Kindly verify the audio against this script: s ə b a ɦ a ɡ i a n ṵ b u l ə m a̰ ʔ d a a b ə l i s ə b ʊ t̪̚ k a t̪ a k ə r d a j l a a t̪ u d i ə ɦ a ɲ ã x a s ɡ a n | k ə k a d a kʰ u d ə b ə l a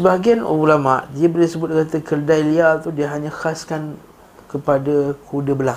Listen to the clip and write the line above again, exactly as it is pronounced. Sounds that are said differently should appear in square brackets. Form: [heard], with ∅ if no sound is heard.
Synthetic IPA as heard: s ə b a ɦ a ɡ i a n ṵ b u l [a] m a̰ ʔ d [i] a b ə l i s ə b ʊ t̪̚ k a t̪ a k ə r d a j l [i] a t̪ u d i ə ɦ a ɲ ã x a s [k] a n | k ə [p] a d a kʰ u d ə b ə l a